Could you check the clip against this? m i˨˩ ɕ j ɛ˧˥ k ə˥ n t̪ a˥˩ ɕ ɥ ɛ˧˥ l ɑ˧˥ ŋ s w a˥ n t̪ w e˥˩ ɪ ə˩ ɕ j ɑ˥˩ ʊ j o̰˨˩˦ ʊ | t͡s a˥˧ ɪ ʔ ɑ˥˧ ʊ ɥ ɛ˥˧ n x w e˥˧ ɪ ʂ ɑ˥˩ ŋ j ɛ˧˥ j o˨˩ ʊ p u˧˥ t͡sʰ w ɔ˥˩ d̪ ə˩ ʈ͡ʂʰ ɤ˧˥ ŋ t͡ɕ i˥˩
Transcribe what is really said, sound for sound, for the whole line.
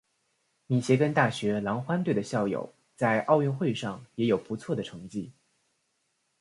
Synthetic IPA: m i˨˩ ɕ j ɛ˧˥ k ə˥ n t̪ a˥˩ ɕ ɥ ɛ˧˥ l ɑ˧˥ ŋ x w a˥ n t̪ w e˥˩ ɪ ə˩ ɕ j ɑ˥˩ ʊ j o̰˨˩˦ ʊ | t͡s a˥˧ ɪ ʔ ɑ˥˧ ʊ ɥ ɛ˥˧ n x w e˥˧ ɪ ʂ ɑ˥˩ ŋ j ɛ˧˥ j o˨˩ ʊ p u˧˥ t͡sʰ w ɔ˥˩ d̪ ə˩ ʈ͡ʂʰ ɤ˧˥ ŋ t͡ɕ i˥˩